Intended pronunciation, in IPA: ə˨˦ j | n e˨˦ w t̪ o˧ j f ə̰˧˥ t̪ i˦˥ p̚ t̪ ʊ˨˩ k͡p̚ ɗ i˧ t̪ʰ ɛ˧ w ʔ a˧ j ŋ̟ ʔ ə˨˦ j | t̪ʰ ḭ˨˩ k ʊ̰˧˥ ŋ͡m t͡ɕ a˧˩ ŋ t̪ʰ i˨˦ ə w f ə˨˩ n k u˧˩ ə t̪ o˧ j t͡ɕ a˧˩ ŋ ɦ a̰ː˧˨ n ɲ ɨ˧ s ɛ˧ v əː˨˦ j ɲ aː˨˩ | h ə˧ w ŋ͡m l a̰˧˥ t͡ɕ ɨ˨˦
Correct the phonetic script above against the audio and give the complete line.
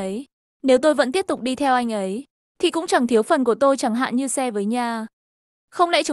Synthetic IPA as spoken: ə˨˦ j | n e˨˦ w t̪ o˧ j v ə̰˧˥ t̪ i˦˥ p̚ t̪ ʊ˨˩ k͡p̚ ɗ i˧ t̪ʰ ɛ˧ w ʔ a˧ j ŋ̟ ʔ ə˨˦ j | t̪ʰ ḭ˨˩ k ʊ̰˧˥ ŋ͡m t͡ɕ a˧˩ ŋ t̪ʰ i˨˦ ə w f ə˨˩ n k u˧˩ ə t̪ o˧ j t͡ɕ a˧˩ ŋ ɦ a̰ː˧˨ n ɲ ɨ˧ s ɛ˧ v əː˨˦ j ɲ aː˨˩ | x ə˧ w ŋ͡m l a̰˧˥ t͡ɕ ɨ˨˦

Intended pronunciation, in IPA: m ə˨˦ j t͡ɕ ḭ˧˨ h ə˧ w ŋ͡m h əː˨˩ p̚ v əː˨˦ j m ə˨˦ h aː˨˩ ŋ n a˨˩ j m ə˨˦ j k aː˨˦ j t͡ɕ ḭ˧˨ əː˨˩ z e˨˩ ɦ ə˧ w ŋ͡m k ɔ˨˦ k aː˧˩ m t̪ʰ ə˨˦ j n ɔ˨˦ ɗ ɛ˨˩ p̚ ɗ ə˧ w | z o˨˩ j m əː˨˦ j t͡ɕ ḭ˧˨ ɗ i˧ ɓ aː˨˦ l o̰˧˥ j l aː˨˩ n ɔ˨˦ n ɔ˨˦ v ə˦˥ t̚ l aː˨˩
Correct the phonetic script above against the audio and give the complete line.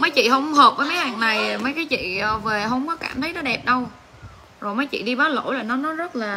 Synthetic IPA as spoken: m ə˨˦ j t͡ɕ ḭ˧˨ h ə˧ w ŋ͡m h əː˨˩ p̚ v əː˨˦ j m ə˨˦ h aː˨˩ ŋ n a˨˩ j m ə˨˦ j k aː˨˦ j t͡ɕ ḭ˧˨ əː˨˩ v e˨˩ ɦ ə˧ w ŋ͡m k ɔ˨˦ k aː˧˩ m t̪ʰ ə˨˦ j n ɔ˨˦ ɗ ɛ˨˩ p̚ ɗ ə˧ w | z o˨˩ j m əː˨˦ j t͡ɕ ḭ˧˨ ɗ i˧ ɓ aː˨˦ l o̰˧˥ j l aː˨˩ n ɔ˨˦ n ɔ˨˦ z ə˦˥ t̚ l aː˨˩

